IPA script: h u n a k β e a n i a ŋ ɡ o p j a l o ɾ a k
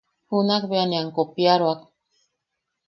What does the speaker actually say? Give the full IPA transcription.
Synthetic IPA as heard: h u n a k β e a n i a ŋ k o p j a ɾ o a k